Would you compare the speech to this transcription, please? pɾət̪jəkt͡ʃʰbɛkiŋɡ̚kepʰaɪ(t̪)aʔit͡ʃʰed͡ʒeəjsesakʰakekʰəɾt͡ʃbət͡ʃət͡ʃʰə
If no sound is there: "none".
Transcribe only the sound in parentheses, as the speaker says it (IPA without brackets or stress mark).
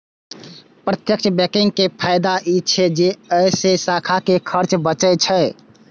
d̪